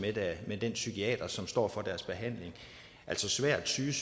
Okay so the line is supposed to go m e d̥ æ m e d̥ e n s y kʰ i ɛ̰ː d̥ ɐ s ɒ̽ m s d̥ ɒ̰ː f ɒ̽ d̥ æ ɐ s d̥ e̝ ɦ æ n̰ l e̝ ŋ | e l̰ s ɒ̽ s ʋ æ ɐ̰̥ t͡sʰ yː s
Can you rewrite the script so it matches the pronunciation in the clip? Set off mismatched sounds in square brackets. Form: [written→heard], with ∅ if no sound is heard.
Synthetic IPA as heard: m e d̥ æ m e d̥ e n s y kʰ i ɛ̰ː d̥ ɐ s ɒ̽ m s d̥ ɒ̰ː f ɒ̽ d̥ æ ɐ s [d̥→b̥] e̝ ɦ æ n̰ l e̝ ŋ | [e→æ] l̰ s ɒ̽ s ʋ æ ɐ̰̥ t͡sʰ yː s